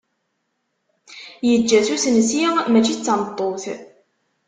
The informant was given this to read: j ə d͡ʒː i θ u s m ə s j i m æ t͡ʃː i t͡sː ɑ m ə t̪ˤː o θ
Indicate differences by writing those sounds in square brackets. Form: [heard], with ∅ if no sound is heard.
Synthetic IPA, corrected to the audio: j ə d͡ʒː [æ] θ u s [n] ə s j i m æ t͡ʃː i t͡sː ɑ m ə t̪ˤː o θ